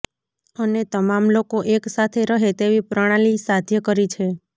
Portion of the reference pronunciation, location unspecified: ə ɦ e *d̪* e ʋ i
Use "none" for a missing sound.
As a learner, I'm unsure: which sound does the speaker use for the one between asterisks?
t̪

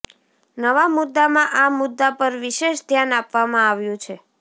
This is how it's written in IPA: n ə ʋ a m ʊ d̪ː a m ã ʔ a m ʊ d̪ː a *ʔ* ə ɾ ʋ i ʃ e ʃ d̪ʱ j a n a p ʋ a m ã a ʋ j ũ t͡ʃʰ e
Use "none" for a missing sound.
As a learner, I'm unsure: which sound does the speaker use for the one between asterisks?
p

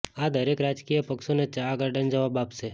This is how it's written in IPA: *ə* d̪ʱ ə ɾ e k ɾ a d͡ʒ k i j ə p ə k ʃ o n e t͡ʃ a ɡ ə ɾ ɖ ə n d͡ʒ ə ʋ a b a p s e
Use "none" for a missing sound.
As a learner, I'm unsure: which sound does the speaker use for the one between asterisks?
a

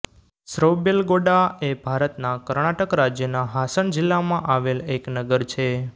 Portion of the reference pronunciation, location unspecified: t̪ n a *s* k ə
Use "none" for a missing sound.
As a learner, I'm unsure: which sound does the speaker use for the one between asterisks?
none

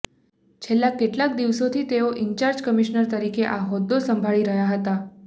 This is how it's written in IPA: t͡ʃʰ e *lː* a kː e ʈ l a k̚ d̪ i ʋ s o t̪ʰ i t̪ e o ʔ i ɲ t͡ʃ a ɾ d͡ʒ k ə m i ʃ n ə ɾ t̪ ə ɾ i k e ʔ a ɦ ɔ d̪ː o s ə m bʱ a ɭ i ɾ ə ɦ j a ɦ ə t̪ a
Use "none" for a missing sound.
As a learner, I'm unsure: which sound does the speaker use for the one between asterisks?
lː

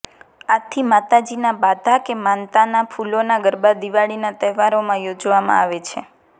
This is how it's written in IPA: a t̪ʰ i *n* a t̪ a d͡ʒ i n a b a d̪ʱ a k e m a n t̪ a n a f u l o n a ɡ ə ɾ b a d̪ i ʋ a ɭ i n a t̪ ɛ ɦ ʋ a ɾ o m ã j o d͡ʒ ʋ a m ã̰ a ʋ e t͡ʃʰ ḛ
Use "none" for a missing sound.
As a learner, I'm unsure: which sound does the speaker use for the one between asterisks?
m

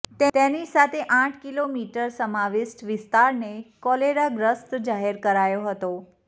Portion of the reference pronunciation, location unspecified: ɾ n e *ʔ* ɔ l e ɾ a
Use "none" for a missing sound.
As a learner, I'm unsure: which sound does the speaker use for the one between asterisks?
k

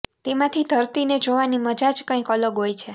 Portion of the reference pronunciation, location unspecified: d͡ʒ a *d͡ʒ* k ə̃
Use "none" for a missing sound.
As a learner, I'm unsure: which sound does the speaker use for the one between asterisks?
d͡ʒ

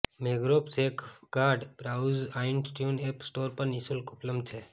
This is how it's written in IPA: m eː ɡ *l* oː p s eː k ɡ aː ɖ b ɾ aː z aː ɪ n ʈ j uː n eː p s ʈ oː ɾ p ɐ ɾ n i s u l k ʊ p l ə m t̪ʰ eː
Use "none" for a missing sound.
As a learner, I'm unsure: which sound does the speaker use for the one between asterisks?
ɾ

